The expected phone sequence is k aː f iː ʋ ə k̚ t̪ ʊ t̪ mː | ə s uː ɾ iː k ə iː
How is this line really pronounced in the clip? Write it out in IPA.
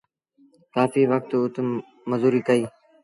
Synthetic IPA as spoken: k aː f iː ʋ ə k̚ t̪ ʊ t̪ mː | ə z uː ɾ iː k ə iː